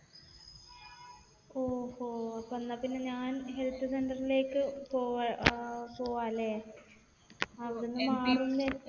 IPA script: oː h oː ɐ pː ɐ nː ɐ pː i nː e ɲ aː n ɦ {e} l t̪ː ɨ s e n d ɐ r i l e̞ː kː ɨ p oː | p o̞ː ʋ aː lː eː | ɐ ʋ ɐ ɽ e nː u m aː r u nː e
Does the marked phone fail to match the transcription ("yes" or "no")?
no